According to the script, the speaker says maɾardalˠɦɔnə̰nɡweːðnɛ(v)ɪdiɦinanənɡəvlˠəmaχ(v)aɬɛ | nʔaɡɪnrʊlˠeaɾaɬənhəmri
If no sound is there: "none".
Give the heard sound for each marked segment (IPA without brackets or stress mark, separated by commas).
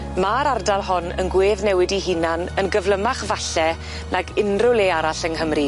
w, v